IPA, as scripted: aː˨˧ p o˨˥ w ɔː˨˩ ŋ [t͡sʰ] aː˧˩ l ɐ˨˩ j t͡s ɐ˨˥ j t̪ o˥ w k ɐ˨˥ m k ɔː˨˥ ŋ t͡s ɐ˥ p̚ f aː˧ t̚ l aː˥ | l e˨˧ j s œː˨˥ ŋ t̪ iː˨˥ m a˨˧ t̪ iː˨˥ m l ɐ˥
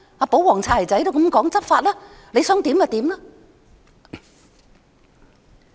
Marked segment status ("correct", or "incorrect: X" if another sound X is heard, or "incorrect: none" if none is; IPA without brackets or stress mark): correct